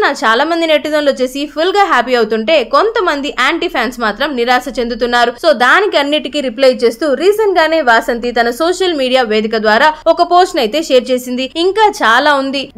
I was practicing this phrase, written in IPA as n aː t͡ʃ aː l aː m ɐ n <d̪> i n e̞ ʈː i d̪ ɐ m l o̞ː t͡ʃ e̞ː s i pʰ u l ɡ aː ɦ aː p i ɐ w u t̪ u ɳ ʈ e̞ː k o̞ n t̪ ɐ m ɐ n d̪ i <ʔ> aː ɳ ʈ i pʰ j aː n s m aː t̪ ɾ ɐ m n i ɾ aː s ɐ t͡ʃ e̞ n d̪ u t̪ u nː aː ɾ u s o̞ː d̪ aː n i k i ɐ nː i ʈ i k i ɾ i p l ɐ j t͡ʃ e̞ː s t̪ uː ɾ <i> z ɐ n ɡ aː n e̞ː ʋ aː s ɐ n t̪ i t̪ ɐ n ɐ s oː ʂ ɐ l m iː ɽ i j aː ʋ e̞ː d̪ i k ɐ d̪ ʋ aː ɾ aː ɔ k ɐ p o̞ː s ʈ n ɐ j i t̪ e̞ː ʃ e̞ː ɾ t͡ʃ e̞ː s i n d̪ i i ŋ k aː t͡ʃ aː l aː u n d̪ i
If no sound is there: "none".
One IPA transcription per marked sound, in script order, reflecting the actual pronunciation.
d̪, ʔ, iː

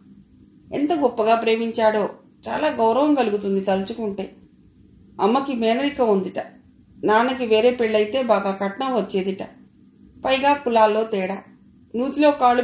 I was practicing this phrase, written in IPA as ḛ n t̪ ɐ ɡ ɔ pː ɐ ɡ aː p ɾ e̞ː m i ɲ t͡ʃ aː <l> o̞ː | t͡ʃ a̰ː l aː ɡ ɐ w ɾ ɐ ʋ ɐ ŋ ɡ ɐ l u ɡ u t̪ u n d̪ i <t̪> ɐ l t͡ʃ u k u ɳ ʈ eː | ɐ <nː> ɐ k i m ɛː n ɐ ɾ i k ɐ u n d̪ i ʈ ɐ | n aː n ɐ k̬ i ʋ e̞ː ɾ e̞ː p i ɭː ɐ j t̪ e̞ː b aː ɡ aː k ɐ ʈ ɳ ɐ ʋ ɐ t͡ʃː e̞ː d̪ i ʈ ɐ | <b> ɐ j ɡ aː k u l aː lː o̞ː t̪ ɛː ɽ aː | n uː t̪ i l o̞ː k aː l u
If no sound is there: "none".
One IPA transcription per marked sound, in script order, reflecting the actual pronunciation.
ɽ, t̪, mː, p

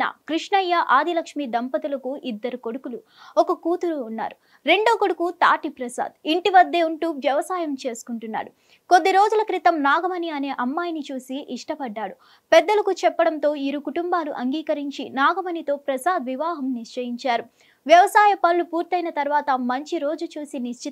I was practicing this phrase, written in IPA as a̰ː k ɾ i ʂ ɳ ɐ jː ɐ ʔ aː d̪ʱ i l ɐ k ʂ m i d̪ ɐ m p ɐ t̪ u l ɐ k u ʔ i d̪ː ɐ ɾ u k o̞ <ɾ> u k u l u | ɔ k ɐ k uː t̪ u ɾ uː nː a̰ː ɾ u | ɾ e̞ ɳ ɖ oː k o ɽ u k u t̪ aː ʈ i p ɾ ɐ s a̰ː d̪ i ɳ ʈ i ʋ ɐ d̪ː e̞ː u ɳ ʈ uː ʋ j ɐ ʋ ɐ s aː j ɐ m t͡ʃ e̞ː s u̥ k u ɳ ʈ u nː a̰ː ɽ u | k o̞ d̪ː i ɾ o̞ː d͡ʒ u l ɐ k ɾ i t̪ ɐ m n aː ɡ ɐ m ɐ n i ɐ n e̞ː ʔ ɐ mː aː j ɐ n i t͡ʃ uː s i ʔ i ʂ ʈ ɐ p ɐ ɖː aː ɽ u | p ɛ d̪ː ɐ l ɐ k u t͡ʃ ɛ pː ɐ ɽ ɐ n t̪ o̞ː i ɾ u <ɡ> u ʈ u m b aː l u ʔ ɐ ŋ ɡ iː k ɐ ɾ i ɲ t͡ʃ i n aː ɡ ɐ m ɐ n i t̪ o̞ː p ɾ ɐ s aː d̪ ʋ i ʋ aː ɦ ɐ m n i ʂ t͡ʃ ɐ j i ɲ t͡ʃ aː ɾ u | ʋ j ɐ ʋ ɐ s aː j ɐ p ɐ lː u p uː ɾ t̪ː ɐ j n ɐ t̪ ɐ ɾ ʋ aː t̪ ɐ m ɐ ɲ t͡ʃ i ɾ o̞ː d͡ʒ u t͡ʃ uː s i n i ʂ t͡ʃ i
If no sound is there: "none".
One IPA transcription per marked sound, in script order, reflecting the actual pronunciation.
ɽ, k

